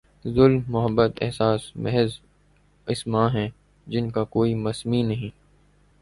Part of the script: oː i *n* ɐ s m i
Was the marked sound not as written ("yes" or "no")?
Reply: yes